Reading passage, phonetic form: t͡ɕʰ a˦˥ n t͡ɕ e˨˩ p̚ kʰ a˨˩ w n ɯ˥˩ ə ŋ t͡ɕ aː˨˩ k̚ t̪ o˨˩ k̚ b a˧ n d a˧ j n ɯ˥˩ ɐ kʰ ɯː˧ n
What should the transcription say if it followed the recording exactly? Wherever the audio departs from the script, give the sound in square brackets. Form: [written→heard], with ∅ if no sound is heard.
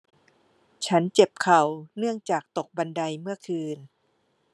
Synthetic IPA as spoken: t͡ɕʰ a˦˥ n t͡ɕ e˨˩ p̚ kʰ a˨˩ w n ɯ˥˩ ə ŋ t͡ɕ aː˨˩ k̚ t̪ o˨˩ k̚ b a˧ n d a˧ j [n→m] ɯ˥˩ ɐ kʰ ɯː˧ n